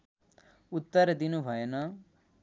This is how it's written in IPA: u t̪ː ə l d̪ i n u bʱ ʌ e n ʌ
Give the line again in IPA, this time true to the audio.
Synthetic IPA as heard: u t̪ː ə ɾ d̪ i n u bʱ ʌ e n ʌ